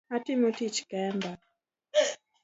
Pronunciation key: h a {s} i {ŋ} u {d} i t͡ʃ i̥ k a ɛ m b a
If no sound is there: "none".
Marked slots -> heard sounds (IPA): t, m, t

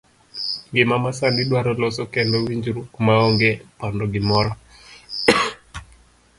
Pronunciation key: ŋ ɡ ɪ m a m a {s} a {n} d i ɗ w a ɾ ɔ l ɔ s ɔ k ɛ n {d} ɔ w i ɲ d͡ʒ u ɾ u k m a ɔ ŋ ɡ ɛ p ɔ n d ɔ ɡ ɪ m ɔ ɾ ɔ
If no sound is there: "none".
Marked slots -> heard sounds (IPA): s, n, d

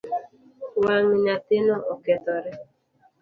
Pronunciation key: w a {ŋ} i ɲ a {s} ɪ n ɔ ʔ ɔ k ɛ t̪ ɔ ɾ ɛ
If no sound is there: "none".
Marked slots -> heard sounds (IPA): ŋ, t

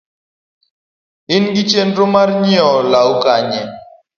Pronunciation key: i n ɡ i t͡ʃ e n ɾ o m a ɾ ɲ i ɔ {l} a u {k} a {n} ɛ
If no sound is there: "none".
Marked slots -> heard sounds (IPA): l, k, ɲ

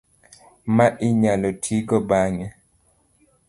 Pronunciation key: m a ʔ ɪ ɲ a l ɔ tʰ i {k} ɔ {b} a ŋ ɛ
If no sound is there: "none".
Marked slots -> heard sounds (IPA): ɡ, b

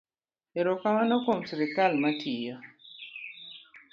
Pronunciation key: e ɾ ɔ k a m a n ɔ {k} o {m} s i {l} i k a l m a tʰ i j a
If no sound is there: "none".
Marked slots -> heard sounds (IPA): k, m, ɾ

